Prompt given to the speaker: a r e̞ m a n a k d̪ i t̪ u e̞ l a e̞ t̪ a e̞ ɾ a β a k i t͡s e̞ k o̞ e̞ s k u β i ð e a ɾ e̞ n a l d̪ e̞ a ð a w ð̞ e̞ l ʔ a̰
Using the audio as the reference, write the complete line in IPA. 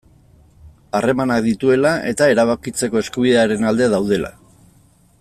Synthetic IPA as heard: a r e̞ m a n a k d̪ i t̪ u e̞ l a e̞ t̪ a e̞ ɾ a β a k i t͡s e̞ k o̞ e̞ s k u β i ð e a ɾ e̞ n a l d̪ e̞ a ð a w ð̞ e̞ l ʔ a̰